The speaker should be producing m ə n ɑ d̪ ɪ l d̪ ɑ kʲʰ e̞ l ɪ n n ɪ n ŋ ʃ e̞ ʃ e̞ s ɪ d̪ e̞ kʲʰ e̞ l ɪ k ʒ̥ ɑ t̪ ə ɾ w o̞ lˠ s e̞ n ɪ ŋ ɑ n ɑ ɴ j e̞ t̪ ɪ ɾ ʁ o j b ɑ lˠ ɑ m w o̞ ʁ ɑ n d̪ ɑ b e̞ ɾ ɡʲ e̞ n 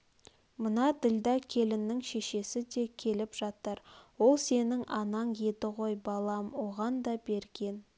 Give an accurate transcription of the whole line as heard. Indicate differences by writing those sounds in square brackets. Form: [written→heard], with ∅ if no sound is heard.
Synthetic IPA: m ə n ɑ d̪ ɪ l d̪ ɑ kʲʰ e̞ l ɪ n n ɪ [n→∅] ŋ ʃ e̞ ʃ e̞ s ɪ d̪ e̞ kʲʰ e̞ l ɪ [k→p] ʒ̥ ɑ t̪ ə ɾ w o̞ lˠ s e̞ n ɪ ŋ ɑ n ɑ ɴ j e̞ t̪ ɪ [ɾ→∅] ʁ o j b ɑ lˠ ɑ m w o̞ ʁ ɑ n d̪ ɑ b e̞ ɾ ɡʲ e̞ n